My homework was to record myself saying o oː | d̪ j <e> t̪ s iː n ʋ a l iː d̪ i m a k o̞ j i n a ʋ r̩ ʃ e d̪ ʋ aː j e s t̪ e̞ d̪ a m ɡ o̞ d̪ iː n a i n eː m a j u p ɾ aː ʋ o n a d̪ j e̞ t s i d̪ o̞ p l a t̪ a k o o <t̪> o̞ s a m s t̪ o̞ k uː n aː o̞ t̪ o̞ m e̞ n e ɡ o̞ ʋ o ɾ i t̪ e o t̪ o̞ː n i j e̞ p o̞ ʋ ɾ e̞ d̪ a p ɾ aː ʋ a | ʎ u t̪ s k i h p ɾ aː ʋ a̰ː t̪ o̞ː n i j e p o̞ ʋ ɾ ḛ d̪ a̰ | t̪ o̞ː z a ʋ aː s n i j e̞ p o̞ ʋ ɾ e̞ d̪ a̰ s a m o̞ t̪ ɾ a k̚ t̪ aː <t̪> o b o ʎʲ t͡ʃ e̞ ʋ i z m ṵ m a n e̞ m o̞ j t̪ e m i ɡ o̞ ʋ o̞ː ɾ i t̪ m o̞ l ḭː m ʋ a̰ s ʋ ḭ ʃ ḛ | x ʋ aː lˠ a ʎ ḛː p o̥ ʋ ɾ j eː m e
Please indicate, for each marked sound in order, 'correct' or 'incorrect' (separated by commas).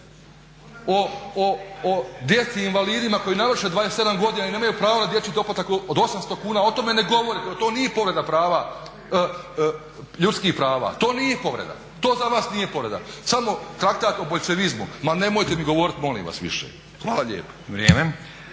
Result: correct, incorrect, correct